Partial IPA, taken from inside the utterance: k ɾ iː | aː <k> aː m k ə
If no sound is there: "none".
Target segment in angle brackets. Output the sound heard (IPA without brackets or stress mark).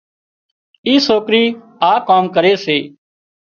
k